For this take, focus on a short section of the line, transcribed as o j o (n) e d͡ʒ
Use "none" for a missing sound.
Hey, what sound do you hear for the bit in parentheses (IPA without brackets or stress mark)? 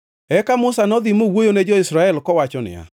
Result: n